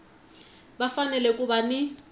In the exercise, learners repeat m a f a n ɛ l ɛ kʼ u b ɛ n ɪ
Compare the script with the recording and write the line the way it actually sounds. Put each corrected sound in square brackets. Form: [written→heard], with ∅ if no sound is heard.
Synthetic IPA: [m→b] a f a n ɛ l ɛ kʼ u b [ɛ→a] n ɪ

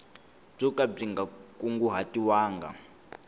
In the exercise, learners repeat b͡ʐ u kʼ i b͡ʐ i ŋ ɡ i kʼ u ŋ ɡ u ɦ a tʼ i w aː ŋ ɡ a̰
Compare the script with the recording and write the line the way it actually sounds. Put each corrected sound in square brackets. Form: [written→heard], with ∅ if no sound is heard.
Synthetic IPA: b͡ʐ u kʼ [i→a] b͡ʐ i ŋ ɡ [i→a] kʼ u ŋ ɡ u ɦ a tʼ i w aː ŋ ɡ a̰

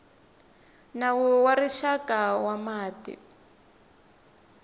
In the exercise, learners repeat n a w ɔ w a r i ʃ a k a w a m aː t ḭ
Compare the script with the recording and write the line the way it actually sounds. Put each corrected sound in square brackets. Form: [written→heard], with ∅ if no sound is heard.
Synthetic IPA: n a w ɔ w a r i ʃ a k a w a m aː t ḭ

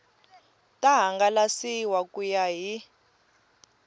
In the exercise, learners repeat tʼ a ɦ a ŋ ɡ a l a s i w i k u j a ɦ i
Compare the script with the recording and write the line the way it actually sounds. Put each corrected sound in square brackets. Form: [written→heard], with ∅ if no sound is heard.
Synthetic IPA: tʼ a ɦ a ŋ ɡ a l a s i w [i→a] k u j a ɦ i

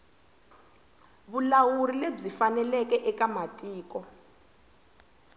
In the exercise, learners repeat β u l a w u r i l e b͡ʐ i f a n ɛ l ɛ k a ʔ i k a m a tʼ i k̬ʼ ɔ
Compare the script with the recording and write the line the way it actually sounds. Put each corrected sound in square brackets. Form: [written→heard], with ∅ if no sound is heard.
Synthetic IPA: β u l a w u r i l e b͡ʐ i f a n ɛ l ɛ k [a→ɛ] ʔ [i→ɛ] k a m a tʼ [i→iː] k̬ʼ ɔ

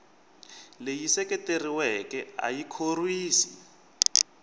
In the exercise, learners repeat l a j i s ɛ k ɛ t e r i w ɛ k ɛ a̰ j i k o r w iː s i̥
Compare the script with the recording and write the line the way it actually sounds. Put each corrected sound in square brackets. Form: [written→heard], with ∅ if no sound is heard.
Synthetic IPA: l [a→e] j i s ɛ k ɛ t e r i w ɛ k ɛ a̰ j i [k→kʰ] o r w iː s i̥

